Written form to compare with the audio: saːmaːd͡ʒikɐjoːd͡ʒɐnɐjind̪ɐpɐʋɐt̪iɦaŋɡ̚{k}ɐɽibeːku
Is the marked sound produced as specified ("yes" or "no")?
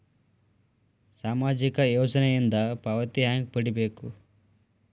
no